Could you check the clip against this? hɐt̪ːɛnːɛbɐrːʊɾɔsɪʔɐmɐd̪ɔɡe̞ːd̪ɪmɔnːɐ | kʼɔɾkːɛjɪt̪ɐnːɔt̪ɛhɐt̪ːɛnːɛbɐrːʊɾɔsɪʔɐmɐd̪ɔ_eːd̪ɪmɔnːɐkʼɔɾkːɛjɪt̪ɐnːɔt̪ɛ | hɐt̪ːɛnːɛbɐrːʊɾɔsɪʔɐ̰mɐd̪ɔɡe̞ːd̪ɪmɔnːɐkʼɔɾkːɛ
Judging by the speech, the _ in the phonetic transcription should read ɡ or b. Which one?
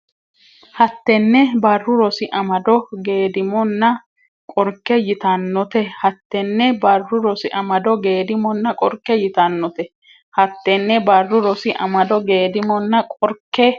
ɡ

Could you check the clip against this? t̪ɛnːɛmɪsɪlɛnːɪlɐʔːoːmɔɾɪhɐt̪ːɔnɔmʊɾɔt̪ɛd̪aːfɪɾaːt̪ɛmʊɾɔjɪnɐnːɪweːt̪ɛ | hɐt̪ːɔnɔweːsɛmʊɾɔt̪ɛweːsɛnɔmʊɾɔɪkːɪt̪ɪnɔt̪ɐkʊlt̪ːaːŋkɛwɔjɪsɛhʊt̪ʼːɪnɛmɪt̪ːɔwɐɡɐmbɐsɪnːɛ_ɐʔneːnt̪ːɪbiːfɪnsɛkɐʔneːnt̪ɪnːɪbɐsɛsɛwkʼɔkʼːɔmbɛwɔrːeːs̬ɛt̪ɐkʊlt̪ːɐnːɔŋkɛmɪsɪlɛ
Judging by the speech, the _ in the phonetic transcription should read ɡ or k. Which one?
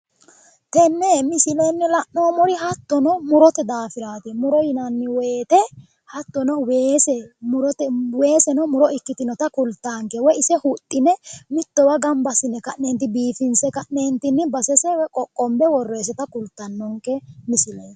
k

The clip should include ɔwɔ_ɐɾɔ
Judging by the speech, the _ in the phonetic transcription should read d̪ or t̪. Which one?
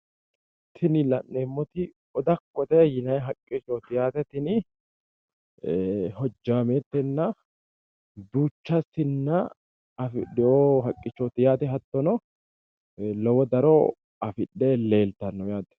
d̪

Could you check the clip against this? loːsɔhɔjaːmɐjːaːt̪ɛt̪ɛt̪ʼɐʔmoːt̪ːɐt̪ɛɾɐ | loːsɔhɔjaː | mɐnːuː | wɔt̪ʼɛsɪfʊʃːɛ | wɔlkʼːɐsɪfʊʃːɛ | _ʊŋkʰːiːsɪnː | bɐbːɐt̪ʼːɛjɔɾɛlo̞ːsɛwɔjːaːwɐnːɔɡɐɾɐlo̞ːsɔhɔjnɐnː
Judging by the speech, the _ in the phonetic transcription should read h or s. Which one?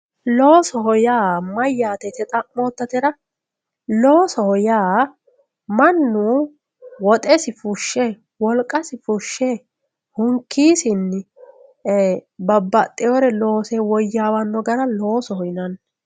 h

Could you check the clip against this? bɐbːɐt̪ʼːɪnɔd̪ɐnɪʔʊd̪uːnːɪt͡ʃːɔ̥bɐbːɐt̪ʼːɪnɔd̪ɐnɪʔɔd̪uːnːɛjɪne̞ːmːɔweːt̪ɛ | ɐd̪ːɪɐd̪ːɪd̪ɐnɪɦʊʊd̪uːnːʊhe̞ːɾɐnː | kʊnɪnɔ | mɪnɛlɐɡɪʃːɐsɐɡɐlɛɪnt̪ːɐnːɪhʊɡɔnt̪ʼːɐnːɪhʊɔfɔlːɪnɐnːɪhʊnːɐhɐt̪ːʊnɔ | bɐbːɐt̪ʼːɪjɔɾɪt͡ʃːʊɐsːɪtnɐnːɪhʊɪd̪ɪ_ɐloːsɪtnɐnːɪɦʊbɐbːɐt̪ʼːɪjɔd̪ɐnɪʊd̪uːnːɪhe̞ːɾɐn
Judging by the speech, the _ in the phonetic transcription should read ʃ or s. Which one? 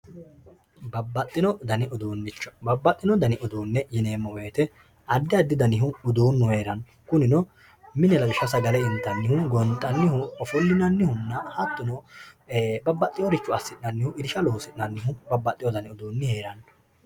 ʃ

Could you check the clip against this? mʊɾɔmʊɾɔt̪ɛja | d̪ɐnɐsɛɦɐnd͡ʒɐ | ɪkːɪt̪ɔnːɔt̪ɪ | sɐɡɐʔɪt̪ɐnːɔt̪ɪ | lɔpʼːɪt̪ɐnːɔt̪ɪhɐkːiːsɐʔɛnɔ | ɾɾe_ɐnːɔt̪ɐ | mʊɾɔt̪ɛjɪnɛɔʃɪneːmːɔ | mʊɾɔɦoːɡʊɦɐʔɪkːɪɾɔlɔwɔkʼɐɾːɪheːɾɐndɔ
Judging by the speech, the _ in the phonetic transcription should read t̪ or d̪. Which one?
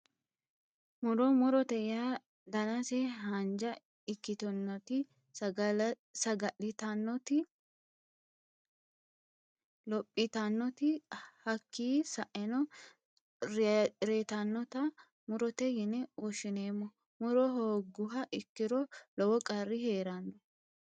t̪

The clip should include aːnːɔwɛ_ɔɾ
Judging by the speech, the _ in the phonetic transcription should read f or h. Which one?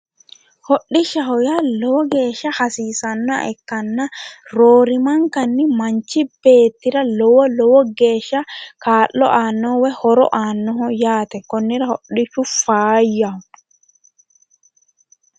h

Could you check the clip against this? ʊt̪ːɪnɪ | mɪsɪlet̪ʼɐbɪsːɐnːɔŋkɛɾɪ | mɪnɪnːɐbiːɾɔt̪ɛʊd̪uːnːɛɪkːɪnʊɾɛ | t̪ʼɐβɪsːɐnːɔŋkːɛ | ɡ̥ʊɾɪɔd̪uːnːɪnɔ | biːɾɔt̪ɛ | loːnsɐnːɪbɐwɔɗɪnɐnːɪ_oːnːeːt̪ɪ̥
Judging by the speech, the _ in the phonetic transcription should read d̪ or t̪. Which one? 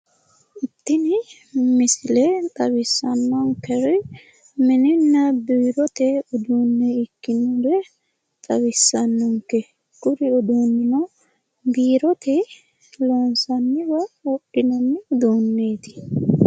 d̪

